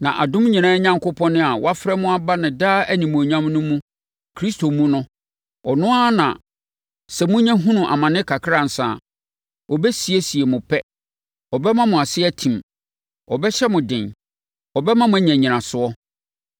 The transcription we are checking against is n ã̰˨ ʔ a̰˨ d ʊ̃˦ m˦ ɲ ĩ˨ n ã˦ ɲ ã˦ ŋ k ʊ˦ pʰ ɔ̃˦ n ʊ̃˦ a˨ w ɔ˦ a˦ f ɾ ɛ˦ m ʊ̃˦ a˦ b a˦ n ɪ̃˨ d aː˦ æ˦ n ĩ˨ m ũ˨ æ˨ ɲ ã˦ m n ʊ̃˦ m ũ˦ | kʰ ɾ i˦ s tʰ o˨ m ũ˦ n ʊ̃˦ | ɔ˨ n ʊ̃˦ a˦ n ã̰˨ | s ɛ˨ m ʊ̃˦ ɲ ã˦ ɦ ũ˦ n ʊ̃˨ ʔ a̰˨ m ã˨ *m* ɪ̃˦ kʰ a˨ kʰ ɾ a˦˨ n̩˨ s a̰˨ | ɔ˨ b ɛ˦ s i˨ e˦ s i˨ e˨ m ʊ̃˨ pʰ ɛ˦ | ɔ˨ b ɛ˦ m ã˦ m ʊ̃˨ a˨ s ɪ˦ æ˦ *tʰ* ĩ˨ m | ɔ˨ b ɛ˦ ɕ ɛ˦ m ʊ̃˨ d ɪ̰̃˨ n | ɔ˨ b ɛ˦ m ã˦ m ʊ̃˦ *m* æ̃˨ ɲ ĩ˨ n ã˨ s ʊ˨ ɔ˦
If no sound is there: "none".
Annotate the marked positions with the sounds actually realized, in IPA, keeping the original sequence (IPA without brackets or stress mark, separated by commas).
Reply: n, tʰ, ɲ